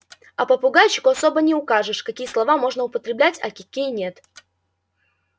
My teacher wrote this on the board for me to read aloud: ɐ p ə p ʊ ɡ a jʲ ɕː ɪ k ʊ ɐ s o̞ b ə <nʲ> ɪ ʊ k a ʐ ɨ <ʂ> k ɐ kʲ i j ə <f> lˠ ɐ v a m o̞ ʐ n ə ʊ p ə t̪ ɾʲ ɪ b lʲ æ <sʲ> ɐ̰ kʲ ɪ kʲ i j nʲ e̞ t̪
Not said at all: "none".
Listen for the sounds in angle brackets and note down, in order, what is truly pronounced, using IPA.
nʲ, ʂ, s, tʲ

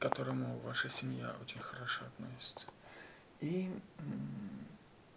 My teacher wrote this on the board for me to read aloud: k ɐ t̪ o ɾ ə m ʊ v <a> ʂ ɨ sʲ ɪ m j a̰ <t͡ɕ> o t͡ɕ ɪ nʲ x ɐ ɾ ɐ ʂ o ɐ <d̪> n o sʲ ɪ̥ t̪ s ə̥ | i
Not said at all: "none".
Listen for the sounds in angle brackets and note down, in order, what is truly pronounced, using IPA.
a, none, t̪

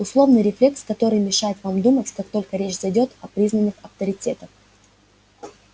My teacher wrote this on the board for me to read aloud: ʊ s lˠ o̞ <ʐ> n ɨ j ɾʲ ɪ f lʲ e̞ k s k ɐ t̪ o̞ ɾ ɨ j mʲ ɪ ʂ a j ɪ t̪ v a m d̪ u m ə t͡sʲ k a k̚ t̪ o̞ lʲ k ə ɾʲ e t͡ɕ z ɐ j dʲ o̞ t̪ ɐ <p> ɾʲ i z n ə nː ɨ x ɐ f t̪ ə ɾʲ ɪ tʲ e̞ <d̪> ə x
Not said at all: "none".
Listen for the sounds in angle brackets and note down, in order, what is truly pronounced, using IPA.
v, p, t̪

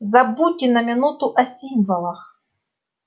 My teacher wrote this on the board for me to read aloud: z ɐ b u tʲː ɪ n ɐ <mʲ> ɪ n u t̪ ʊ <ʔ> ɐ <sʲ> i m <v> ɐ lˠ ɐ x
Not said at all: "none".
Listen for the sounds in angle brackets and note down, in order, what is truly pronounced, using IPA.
mʲ, ʔ, sʲ, v

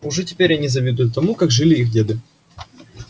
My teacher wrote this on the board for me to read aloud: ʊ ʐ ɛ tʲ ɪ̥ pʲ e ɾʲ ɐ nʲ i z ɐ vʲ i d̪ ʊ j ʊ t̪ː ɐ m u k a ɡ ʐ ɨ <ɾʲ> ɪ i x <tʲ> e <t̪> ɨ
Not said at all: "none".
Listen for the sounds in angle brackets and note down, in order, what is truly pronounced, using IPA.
lʲ, dʲ, d̪

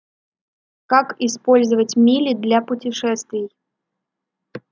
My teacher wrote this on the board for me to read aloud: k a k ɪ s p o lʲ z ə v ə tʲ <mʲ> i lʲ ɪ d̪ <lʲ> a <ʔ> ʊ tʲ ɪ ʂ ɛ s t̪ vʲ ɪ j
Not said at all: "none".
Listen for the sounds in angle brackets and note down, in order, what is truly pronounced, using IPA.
mʲ, lʲ, p

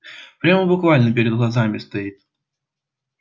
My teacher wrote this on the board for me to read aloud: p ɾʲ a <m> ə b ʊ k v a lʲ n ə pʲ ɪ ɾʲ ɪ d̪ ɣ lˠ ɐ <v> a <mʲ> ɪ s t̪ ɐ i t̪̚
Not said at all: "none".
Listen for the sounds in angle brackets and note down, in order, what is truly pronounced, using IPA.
m, z, mʲ

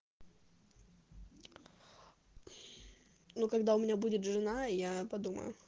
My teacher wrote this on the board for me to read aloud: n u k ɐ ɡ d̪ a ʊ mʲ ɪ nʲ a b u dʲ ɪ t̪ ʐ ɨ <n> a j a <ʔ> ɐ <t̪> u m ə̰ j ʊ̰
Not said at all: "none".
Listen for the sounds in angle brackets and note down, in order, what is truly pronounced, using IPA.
n, p, d̪

